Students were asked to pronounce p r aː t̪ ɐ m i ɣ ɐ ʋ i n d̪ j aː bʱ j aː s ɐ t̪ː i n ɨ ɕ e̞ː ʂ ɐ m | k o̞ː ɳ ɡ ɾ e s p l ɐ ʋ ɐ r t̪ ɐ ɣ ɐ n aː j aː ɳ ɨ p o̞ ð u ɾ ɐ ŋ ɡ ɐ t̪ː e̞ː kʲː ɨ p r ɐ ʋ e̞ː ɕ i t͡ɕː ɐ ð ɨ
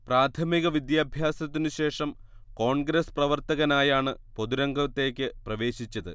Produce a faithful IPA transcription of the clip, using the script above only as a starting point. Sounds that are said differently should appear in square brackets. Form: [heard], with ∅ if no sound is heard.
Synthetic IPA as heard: p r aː [t̪ʰ] ɐ m i ɣ ɐ ʋ i [∅] d̪ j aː bʱ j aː s ɐ t̪ː i n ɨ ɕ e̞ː ʂ ɐ m | k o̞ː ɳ ɡ ɾ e s p [r] ɐ ʋ ɐ r t̪ ɐ ɣ ɐ n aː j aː ɳ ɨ p o̞ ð u ɾ ɐ ŋ ɡ ɐ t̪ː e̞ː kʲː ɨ p r ɐ ʋ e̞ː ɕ i t͡ɕː ɐ ð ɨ